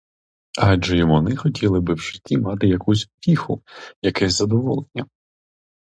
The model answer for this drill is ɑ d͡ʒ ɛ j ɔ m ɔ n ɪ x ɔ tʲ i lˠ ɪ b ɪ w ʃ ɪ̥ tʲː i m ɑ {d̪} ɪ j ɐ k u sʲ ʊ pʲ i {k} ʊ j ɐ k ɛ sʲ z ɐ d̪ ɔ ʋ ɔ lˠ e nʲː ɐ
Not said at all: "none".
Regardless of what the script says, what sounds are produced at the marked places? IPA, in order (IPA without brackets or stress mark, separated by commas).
t̪, x